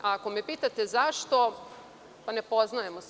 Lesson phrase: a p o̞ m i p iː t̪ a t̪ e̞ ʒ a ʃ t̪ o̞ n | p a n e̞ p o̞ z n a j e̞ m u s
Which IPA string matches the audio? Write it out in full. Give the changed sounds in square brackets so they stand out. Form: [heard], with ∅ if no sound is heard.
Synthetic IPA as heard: a [k] o̞ m [e] p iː t̪ a t̪ e̞ [z] a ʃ t̪ o̞ [∅] | p a n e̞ p o̞ z n a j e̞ m [o] s